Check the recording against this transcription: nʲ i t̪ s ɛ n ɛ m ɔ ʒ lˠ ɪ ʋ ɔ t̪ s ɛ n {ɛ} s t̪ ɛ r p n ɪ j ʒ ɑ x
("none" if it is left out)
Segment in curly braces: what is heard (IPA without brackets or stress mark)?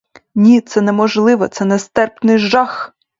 ɛ